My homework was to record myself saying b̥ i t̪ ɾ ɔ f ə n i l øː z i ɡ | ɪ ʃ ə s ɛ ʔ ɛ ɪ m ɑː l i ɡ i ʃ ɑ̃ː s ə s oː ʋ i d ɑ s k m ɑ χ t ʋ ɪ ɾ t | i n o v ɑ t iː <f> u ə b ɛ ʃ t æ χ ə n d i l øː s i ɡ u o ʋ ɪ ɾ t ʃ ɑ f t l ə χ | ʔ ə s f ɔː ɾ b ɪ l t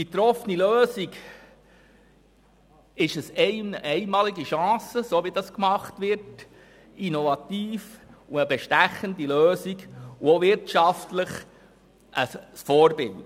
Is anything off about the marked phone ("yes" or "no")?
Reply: no